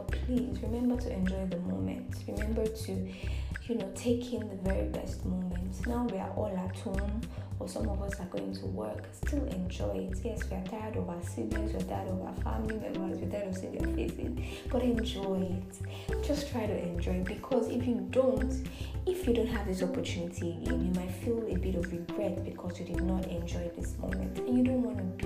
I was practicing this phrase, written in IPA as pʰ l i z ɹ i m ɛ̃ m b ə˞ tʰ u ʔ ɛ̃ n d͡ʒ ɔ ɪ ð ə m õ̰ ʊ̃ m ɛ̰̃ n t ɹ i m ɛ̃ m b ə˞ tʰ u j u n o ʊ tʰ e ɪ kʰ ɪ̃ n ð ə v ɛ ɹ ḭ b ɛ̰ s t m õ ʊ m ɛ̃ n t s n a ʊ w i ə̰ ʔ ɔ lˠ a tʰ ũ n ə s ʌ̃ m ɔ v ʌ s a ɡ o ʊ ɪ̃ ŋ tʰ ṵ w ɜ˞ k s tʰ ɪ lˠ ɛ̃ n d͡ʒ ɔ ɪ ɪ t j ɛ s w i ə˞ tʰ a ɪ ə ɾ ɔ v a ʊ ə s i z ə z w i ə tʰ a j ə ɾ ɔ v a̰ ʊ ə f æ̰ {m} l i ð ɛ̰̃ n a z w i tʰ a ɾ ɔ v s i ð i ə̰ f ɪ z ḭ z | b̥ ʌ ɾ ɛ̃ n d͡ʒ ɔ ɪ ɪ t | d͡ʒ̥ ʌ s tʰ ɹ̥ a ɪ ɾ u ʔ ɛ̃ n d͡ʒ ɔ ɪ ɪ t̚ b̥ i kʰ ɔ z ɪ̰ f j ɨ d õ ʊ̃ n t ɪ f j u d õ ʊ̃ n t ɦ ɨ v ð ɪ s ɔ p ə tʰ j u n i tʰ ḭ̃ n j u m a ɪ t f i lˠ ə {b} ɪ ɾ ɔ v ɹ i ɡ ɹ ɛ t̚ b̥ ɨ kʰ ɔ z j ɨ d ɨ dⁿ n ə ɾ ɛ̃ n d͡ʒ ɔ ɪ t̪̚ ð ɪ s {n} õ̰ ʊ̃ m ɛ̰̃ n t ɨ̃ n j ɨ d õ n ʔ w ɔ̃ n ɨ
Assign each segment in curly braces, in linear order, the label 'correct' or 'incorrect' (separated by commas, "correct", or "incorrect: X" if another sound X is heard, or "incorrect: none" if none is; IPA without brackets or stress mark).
correct, correct, incorrect: m